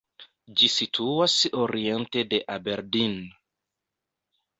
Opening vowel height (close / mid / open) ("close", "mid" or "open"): close